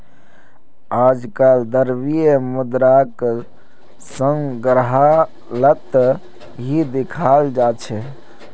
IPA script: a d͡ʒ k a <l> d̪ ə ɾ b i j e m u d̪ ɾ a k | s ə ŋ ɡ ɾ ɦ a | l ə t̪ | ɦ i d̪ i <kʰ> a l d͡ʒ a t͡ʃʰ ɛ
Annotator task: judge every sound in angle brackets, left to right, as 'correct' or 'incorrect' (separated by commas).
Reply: correct, correct